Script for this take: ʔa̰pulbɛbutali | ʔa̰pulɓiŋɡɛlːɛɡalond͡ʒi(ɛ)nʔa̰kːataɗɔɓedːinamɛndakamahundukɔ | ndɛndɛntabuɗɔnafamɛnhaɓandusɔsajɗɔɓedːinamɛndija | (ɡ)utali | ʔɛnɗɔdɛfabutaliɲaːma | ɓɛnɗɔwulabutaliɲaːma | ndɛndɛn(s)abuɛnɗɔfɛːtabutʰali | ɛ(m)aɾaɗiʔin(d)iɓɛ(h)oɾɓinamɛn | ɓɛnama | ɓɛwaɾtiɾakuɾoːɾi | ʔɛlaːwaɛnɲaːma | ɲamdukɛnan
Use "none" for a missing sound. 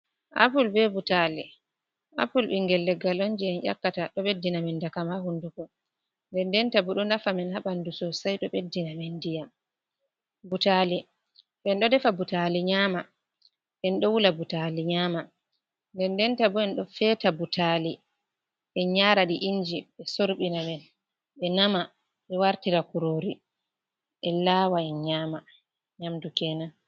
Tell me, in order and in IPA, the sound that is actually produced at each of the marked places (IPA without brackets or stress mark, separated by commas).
ɛ, b, t, ɲ, d͡ʒ, s